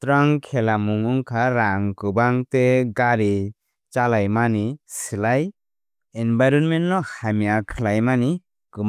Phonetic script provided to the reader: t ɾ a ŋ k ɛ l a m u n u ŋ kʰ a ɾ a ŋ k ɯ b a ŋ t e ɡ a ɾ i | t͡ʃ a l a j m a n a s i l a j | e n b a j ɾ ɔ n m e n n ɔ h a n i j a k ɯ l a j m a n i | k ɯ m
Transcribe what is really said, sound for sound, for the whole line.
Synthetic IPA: t ɾ a ŋ kʰ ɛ l a m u ŋ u ŋ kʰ a ɾ a ŋ k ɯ b a ŋ t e ɡ a ɾ i | t͡ʃ a l a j m a n i s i l a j | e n b a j ɾ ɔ n m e n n ɔ h a m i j a kʰ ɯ l a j m a n i | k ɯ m